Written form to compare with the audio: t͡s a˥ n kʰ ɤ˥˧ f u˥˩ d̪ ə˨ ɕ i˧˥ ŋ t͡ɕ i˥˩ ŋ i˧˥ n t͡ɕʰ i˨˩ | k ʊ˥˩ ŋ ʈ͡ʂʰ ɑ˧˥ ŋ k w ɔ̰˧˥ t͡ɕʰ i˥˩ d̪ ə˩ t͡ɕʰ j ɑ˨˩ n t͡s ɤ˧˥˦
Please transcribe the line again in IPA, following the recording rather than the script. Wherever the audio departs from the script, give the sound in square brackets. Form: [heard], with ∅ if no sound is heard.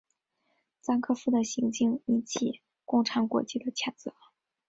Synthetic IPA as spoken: t͡s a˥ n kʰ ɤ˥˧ f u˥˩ d̪ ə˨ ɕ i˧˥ ŋ t͡ɕ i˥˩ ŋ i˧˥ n t͡ɕʰ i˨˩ | k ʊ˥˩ ŋ ʈ͡ʂʰ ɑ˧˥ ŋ k w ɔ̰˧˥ [t͡ɕ] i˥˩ d̪ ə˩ t͡ɕʰ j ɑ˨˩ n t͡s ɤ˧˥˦